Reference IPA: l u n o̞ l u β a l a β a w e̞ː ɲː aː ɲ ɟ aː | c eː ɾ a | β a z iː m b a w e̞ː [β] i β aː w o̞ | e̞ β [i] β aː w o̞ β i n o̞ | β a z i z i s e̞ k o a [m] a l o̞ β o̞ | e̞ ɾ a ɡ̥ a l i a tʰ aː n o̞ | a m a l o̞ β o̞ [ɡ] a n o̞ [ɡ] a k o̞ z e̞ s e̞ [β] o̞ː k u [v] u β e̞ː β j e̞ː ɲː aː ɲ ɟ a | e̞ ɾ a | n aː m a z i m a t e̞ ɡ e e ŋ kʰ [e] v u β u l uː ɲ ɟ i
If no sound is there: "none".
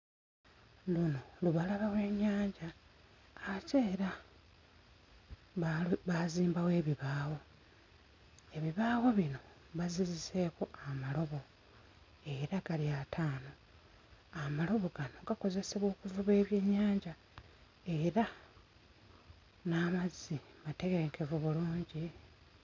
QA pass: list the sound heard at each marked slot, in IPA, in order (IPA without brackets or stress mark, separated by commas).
β, i, m, ɡ, ɡ, β, v, e